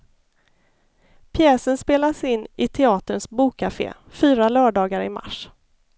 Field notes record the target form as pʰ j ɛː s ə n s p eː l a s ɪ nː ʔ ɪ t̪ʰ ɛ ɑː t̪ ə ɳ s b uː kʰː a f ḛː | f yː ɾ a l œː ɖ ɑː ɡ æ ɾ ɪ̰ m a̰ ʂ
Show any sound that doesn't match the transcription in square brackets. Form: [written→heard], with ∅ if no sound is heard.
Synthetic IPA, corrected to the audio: pʰ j ɛː s ə n s p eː l a s ɪ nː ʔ ɪ t̪ʰ ɛ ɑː t̪ ə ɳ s b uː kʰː a f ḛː | f yː ɾ a l œː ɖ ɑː ɡ [æ→a] ɾ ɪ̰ m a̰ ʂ